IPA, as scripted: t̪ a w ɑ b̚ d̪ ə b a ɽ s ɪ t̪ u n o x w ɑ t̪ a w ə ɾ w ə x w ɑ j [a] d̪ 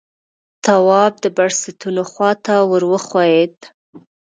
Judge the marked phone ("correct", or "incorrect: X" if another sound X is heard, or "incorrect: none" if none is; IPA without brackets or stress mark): incorrect: e